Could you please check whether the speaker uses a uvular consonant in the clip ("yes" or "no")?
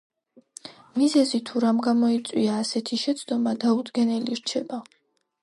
no